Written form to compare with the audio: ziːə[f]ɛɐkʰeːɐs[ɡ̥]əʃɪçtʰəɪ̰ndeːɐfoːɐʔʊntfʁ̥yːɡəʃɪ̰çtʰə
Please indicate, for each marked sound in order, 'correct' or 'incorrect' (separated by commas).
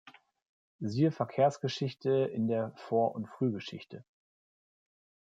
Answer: correct, correct